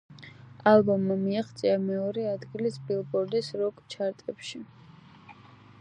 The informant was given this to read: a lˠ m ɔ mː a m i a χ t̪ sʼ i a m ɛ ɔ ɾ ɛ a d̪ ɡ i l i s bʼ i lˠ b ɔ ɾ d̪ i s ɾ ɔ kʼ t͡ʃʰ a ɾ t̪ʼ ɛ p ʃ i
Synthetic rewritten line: a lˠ b ɔ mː a m i a χ t̪ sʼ i a m ɛ ɔ ɾ ɛ a d̪ ɡ i l i s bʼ i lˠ b ɔ ɾ d̪ i s ɾ ɔ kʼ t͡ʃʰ a ɾ t̪ʼ ɛ p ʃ i

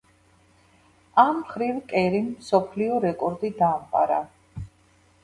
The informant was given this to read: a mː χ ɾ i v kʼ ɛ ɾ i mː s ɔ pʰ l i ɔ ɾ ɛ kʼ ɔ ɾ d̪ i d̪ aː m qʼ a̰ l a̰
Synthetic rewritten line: a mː χ ɾ i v kʼ ɛ ɾ i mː s ɔ pʰ l i ɔ ɾ ɛ kʼ ɔ ɾ d̪ i d̪ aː m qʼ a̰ ɾ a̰

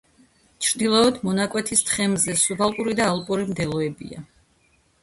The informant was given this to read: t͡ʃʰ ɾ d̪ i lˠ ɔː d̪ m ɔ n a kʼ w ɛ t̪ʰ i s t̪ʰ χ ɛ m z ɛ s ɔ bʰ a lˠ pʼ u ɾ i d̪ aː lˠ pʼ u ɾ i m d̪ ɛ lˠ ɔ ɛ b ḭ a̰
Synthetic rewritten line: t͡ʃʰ ɾ d̪ i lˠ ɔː d̪ m ɔ n a kʼ w ɛ t̪ʰ i s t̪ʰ χ ɛ m z ɛ s u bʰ a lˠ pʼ u ɾ i d̪ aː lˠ pʼ u ɾ i m d̪ ɛ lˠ ɔ ɛ b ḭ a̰

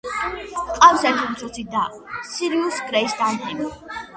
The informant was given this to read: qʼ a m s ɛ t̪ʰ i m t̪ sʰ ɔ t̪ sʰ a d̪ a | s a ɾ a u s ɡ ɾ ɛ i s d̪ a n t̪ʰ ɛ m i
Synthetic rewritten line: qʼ a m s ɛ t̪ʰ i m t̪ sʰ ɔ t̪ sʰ i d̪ a | s i ɾ i u s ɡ ɾ ɛ i s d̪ a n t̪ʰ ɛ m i

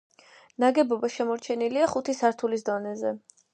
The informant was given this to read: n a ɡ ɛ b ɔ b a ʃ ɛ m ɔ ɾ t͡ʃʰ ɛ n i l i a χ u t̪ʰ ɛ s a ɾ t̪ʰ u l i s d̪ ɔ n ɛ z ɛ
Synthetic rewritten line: n a ɡ ɛ b ɔ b a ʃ ɛ m ɔ ɾ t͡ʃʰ ɛ n i l i a χ u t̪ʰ i s a ɾ t̪ʰ u l i s d̪ ɔ n ɛ z ɛ

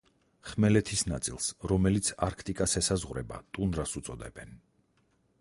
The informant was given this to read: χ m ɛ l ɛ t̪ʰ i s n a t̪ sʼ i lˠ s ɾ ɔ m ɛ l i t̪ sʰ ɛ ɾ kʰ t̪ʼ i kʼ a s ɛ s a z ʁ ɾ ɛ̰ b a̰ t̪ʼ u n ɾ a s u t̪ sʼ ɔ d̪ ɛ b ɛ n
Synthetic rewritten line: χ m ɛ l ɛ t̪ʰ i s n a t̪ sʼ i lˠ s ɾ ɔ m ɛ l i t̪ sʰ a ɾ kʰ t̪ʼ i kʼ a s ɛ s a z ʁ ɾ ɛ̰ b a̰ t̪ʼ u n ɾ a s u t̪ sʼ ɔ d̪ ɛ b ɛ n

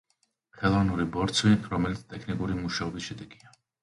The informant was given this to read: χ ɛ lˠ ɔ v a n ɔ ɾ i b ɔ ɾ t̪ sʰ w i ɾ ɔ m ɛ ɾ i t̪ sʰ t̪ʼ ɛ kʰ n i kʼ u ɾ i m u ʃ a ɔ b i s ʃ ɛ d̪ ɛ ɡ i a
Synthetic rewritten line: χ ɛ lˠ ɔ v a n u ɾ i b ɔ ɾ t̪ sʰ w i ɾ ɔ m ɛ l i t̪ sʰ t̪ʼ ɛ kʰ n i kʼ u ɾ i m u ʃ a ɔ b i s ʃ ɛ d̪ ɛ ɡ i a

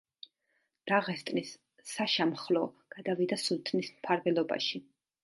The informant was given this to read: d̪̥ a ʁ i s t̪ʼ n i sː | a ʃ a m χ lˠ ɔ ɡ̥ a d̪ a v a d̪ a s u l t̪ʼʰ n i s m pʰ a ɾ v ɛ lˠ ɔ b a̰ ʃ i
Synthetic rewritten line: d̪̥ a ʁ ɛ s t̪ʼ n i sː | a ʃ a m χ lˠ ɔ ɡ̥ a d̪ a v i d̪ a s u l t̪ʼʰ n i s m pʰ a ɾ v ɛ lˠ ɔ b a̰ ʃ i

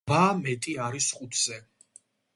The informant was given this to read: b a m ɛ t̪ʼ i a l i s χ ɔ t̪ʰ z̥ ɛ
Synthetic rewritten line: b a m ɛ t̪ʼ i a ɾ i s χ u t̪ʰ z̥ ɛ

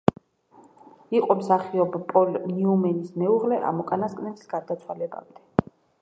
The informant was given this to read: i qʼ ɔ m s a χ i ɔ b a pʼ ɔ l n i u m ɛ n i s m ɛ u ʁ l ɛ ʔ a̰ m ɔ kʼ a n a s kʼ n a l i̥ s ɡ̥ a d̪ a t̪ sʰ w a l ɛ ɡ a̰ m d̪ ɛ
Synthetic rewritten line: i qʼ ɔ m s a χ i ɔ b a pʼ ɔ l n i u m ɛ n i s m ɛ u ʁ l ɛ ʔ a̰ m ɔ kʼ a n a s kʼ n ɛ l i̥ s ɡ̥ a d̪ a t̪ sʰ w a l ɛ b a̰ m d̪ ɛ

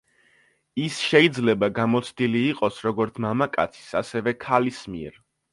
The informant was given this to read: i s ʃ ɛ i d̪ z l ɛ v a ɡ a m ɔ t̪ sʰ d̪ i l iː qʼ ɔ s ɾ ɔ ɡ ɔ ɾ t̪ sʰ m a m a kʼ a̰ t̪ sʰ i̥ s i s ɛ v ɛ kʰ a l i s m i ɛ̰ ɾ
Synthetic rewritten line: i s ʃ ɛ i d̪ z l ɛ b a ɡ a m ɔ t̪ sʰ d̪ i l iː qʼ ɔ s ɾ ɔ ɡ ɔ ɾ t̪ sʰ m a m a kʼ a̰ t̪ sʰ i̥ s a s ɛ v ɛ kʰ a l i s m i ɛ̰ ɾ

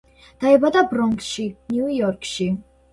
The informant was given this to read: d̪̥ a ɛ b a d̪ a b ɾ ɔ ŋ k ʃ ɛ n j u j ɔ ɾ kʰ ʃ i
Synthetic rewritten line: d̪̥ a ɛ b a d̪ a b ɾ ɔ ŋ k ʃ i n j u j ɔ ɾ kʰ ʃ i

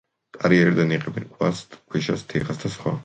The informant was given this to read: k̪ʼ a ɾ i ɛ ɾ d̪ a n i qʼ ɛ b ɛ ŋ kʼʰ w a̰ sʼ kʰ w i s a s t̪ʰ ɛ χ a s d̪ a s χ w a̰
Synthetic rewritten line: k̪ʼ a ɾ i ɛ ɾ d̪ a n i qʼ ɛ b ɛ n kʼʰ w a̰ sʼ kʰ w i ʃ a s t̪ʰ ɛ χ a s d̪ a s χ w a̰

